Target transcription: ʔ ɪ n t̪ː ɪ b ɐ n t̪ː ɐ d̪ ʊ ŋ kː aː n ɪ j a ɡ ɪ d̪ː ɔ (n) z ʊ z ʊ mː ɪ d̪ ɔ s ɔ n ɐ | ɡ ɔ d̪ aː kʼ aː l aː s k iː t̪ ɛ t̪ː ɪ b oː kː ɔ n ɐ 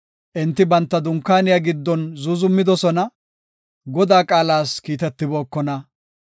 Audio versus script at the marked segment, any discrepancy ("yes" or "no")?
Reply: no